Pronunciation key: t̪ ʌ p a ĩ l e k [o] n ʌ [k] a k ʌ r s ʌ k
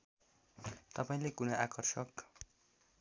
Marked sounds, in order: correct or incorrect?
incorrect, incorrect

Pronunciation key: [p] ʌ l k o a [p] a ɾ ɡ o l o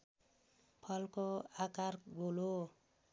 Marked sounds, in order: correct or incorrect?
incorrect, incorrect

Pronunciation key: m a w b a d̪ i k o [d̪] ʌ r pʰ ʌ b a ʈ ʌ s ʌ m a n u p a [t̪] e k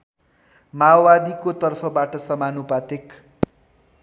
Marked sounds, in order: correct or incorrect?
incorrect, correct

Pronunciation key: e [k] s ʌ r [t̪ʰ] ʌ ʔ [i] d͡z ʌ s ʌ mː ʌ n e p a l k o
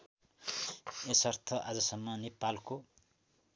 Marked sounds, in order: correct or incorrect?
incorrect, correct, incorrect

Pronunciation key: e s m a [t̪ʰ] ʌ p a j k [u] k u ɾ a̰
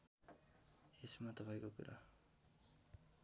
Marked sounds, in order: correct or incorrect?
incorrect, incorrect

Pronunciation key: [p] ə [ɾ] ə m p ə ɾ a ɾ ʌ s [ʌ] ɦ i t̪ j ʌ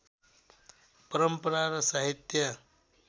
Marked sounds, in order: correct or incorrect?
correct, correct, incorrect

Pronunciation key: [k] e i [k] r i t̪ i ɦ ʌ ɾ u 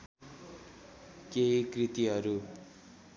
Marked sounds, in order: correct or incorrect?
correct, correct

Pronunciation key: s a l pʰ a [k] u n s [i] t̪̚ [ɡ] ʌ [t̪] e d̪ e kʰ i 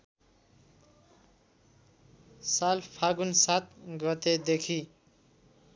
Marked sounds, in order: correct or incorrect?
incorrect, incorrect, correct, correct

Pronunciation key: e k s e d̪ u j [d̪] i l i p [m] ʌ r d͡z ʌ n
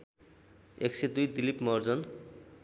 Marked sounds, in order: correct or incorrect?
correct, correct

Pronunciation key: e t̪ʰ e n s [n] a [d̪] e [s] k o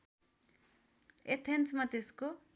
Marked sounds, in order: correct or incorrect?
incorrect, incorrect, correct

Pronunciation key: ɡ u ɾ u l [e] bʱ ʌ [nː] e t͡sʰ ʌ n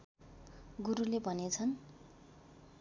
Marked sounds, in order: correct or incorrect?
correct, incorrect

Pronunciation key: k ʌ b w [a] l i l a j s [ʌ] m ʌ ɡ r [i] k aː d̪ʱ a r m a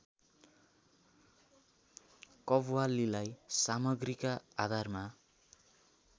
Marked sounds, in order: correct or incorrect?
correct, incorrect, correct

